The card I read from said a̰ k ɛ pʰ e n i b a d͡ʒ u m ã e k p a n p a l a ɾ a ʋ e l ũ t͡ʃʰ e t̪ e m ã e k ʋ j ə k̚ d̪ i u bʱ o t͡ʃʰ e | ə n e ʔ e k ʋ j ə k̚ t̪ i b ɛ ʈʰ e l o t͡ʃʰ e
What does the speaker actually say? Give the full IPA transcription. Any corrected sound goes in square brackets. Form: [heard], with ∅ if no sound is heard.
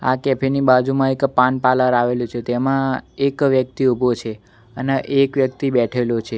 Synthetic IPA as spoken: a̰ k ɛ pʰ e n i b a d͡ʒ u m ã e k p a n p a l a ɾ a ʋ e l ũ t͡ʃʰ e t̪ e m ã e k ʋ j ə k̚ [t̪] i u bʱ o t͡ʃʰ e | ə n e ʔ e k ʋ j ə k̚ t̪ i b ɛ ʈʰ e l o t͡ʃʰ e

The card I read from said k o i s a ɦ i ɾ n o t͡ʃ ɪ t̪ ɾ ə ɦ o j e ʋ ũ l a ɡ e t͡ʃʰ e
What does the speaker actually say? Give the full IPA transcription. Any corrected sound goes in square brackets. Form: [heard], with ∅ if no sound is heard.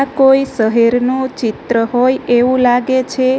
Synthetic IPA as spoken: k o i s [ə] ɦ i ɾ n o t͡ʃ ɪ t̪ ɾ ə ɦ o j e ʋ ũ l a ɡ e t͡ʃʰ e

